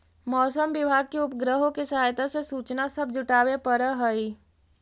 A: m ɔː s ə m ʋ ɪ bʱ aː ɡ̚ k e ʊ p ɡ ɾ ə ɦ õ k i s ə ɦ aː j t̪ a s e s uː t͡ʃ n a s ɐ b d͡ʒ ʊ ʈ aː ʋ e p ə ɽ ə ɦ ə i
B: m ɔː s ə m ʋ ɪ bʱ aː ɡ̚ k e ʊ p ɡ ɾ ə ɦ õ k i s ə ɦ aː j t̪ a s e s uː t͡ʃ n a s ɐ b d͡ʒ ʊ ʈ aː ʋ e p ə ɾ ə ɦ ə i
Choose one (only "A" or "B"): B